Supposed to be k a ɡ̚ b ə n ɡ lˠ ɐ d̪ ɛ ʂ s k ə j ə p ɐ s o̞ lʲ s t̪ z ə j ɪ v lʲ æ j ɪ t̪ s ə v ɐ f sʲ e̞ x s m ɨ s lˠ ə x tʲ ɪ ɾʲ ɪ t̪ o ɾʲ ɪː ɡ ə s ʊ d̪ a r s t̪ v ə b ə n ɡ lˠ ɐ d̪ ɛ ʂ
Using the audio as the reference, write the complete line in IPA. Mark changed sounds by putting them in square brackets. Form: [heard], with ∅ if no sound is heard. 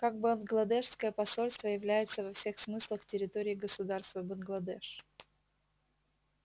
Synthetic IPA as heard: k a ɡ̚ b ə n ɡ lˠ ɐ d̪ ɛ ʂ s k ə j ə p ɐ s o̞ lʲ s t̪ [v] ə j ɪ v lʲ æ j ɪ t̪ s ə v ɐ f sʲ e̞ x s m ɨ s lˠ ə x tʲ ɪ ɾʲ ɪ t̪ o ɾʲ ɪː ɡ ə s ʊ d̪ a r s t̪ v ə b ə n ɡ lˠ ɐ d̪ ɛ ʂ

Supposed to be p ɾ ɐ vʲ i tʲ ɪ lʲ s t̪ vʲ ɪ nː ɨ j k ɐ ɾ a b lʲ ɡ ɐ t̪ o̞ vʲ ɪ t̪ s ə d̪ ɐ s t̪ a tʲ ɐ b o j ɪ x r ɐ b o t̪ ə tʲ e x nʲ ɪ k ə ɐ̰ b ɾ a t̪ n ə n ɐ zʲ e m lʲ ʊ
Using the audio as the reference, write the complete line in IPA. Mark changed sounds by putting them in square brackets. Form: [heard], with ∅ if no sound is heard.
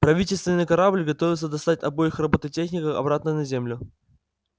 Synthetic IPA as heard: p ɾ ɐ vʲ i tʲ ɪ lʲ s t̪ vʲ ɪ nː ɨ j k ɐ ɾ a b lʲ ɡ ɐ t̪ o̞ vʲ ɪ t̪ s ə d̪ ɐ s t̪ a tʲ ɐ b o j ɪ x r ɐ b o t̪ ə tʲ e x nʲ ɪ k ə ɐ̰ b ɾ a t̪ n ə n ɐ zʲ e m lʲ ʊ

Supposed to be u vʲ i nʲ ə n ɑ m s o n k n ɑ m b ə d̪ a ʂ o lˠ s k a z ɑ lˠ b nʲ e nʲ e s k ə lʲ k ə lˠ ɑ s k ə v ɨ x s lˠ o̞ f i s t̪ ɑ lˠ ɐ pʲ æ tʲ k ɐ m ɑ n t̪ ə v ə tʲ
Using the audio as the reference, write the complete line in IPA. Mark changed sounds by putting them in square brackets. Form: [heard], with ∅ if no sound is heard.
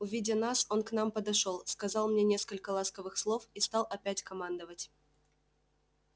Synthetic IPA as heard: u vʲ i [dʲ] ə n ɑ [∅] s o n k n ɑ m [p] ə d̪ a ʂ o lˠ s k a z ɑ lˠ [m] nʲ e nʲ e s k ə lʲ k ə lˠ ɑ s k ə v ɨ x s lˠ o̞ f i s t̪ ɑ lˠ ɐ pʲ æ tʲ k ɐ m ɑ n [d̪] ə v ə tʲ

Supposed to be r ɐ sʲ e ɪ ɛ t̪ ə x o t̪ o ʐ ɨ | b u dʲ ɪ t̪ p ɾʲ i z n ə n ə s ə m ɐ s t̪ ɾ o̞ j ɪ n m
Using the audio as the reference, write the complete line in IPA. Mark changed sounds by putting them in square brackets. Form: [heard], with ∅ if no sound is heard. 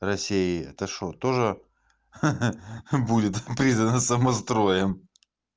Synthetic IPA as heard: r ɐ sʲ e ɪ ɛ t̪ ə [ʂ] o t̪ o ʐ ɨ | b u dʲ ɪ t̪ p ɾʲ i z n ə n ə s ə m ɐ s t̪ ɾ o̞ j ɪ [∅] m

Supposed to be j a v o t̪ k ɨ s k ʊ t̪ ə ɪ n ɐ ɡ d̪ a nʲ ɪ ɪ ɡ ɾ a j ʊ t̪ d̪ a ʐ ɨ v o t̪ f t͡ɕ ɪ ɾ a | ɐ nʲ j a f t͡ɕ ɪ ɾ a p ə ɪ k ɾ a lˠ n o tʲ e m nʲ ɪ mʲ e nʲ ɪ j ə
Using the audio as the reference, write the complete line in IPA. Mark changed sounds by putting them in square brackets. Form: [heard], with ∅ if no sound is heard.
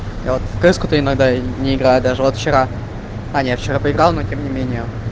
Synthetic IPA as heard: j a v o t̪ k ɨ s k ʊ t̪ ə ɪ n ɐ ɡ d̪ a nʲ ɪ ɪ ɡ ɾ a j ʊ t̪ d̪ a ʐ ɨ v o t̪ f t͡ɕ ɪ ɾ a | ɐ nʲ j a f t͡ɕ ɪ ɾ a p ə ɪ [ɡ] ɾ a lˠ n o tʲ e m nʲ ɪ mʲ e nʲ ɪ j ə

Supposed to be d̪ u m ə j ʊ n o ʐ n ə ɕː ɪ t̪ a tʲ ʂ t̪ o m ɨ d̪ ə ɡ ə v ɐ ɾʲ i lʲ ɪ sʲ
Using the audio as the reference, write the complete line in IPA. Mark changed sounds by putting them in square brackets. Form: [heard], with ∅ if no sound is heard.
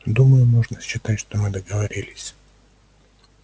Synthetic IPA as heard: d̪ u m ə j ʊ [m] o ʐ n ə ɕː ɪ t̪ a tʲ ʂ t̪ o m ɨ d̪ ə ɡ ə v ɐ ɾʲ i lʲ ɪ sʲ

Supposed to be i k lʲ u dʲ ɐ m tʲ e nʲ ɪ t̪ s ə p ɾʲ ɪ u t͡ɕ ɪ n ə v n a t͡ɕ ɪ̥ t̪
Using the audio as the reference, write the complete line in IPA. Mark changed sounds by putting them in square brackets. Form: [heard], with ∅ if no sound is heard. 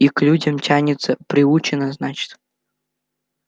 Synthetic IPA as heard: i k lʲ u dʲ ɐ m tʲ [a] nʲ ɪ t̪ s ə p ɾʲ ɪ u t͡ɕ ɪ n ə [z] n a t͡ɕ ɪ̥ t̪

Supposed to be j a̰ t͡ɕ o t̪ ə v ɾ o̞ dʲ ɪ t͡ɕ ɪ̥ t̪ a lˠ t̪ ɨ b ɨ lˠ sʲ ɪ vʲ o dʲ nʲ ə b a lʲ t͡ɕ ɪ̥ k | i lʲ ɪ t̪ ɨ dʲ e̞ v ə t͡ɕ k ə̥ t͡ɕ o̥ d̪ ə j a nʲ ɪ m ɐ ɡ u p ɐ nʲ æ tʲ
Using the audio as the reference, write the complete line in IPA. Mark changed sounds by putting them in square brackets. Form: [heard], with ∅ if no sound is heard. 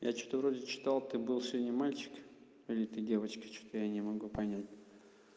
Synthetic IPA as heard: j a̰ t͡ɕ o t̪ ə v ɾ o̞ dʲ ɪ t͡ɕ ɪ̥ t̪ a lˠ t̪ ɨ b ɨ lˠ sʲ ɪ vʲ o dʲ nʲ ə [m] a lʲ t͡ɕ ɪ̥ k | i lʲ ɪ t̪ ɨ dʲ e̞ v ə t͡ɕ k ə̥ t͡ɕ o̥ [t̪] ə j a nʲ ɪ m ɐ ɡ u p ɐ nʲ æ tʲ

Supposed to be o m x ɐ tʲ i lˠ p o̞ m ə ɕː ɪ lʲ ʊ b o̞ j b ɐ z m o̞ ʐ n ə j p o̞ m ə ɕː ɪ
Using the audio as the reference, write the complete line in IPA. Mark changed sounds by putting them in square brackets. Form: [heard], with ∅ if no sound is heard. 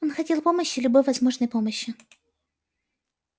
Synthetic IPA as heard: o [n] x ɐ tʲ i lˠ p o̞ m ə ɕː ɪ lʲ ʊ b o̞ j [v] ɐ z m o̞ ʐ n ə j p o̞ m ə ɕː ɪ

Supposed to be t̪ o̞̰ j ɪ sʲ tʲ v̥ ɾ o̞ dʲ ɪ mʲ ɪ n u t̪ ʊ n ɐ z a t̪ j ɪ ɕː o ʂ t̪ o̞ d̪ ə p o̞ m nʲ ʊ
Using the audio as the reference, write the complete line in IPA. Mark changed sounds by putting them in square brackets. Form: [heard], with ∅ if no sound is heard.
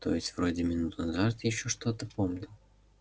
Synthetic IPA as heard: t̪ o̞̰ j ɪ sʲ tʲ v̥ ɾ o̞ dʲ ɪ mʲ ɪ n u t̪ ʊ n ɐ z a t̪ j ɪ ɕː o ʂ t̪ o̞ [t̪] ə p o̞ m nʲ ʊ

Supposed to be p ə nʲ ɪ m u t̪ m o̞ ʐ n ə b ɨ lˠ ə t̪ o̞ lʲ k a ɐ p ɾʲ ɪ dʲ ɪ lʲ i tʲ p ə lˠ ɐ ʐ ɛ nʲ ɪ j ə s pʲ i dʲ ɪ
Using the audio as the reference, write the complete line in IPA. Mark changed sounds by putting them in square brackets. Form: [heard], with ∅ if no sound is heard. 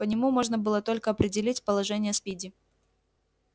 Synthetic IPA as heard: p ə nʲ ɪ m u [∅] m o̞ ʐ n ə b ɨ lˠ ə t̪ o̞ lʲ k [ə] ɐ p ɾʲ ɪ dʲ ɪ lʲ i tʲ p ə lˠ ɐ ʐ ɛ nʲ ɪ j ə s pʲ i dʲ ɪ

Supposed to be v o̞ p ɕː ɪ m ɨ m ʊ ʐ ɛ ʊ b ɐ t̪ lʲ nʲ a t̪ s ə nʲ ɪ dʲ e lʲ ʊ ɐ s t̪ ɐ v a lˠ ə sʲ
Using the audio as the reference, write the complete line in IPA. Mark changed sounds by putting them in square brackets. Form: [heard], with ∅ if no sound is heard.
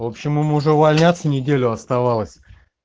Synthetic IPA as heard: v o̞ p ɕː ɪ m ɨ m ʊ ʐ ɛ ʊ [v] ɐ [∅] lʲ nʲ a t̪ s ə nʲ ɪ dʲ e lʲ ʊ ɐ s t̪ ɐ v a lˠ ə sʲ

